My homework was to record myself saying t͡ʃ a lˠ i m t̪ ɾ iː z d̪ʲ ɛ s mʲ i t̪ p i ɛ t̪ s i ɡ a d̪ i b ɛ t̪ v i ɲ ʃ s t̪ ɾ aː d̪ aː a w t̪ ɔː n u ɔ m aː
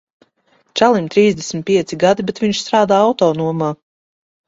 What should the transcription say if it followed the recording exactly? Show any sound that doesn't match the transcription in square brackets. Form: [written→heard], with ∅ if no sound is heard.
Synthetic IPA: t͡ʃ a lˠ i m t̪ ɾ iː z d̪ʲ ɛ s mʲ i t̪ p i ɛ t̪ s i ɡ a d̪ i b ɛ t̪ v i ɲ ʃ s t̪ ɾ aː d̪ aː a w t̪ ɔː n u ɔ m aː